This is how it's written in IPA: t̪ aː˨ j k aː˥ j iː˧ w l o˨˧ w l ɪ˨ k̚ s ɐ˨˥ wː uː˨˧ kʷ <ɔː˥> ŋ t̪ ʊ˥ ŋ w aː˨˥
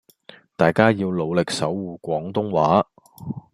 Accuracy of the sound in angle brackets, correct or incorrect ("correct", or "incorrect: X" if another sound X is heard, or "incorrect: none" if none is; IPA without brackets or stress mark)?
incorrect: ɔː˨˥